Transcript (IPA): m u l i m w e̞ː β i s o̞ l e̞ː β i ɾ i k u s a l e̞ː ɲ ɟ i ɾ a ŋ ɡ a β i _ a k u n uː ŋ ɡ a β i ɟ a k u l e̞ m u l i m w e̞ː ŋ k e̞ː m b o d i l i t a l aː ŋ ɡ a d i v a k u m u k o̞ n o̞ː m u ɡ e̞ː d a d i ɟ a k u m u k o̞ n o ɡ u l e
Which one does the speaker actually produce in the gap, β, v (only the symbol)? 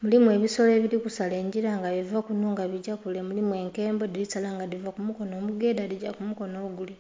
v